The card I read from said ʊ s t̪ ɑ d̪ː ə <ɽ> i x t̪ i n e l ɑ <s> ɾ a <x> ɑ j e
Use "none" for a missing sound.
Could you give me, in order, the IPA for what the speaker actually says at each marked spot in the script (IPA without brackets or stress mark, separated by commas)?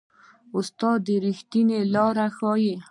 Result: ɾ, none, x